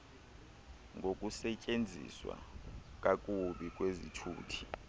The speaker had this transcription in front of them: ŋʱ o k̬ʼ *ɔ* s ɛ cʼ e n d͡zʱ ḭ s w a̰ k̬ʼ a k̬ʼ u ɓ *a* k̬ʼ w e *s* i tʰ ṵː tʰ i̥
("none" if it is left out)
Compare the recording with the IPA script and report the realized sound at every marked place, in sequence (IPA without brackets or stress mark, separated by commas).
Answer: u, i, z